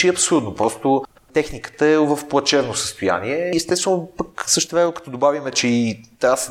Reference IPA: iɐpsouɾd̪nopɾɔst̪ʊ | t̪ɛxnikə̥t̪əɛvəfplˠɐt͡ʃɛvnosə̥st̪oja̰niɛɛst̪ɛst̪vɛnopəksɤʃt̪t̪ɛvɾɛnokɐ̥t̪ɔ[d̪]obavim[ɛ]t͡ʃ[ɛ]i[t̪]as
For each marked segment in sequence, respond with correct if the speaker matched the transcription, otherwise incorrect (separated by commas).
correct, correct, correct, correct